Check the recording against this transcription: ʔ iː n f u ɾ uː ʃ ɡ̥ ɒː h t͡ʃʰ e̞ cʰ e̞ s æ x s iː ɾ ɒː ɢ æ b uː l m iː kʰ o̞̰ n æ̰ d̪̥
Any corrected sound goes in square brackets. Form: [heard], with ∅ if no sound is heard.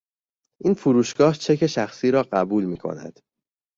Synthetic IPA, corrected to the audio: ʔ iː n f u ɾ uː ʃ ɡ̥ ɒː h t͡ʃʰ e̞ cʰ e̞ [ʃ] æ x s iː ɾ ɒː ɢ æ b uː l m iː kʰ o̞̰ n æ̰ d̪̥